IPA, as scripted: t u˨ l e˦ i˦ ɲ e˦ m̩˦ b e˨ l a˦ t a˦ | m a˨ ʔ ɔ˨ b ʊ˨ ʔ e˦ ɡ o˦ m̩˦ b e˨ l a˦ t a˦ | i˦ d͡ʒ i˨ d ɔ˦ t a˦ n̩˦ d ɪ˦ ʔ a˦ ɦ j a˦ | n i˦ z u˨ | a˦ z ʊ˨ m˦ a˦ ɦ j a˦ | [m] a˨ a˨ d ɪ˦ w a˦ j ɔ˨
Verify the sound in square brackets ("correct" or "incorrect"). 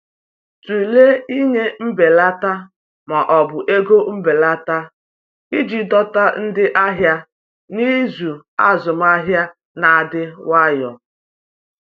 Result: incorrect